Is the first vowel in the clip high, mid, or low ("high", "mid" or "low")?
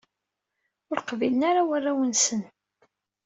high